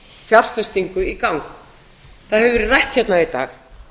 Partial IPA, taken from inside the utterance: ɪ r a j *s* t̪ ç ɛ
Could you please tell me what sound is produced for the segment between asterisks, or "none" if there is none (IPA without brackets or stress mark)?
h